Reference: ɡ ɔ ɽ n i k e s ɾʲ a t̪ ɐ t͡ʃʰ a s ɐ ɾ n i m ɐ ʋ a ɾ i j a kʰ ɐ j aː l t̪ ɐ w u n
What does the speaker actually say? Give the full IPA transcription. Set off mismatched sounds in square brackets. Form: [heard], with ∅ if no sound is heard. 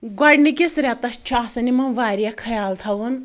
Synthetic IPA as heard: ɡ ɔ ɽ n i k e s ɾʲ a t̪ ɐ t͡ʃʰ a s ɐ [∅] n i m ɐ ʋ a ɾ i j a kʰ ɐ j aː l [t̪ʰ] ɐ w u n